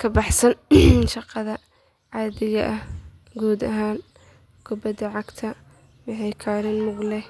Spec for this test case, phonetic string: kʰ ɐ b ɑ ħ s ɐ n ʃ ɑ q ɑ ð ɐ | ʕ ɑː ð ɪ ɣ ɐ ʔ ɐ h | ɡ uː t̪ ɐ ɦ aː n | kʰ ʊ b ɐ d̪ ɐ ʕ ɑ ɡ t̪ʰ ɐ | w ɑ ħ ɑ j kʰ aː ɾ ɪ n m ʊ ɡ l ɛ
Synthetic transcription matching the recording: kʰ ɐ b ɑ ħ s ɐ n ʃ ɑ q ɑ ð ɐ | ʕ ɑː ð ɪ ɣ ɐ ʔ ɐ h | ɡ uː d̪ ɐ ɦ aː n | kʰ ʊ b ɐ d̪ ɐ ʕ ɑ ɡ t̪ʰ ɐ | w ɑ ħ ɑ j kʰ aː ɾ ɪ n m ʊ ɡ l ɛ